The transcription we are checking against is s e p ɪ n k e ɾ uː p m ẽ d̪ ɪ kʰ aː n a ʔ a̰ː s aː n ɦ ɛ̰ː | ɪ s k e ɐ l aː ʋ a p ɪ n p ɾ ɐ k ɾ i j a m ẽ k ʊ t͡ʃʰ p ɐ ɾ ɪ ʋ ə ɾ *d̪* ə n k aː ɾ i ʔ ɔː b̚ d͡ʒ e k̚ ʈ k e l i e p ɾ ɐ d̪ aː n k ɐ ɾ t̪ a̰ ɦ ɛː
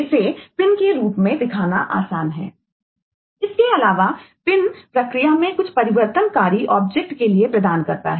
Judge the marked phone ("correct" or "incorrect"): incorrect